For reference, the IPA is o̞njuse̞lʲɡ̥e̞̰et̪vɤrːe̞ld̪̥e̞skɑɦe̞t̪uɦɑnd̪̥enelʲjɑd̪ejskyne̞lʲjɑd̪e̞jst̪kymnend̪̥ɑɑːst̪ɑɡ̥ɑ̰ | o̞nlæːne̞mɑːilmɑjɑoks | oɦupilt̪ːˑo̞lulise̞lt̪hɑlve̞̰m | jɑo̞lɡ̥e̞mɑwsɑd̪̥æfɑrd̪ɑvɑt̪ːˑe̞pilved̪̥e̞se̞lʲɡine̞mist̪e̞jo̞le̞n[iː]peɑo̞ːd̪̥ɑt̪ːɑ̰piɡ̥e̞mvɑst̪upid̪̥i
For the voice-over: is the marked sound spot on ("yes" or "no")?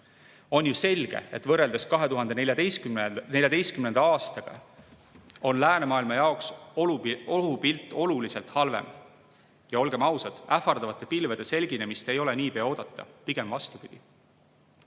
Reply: yes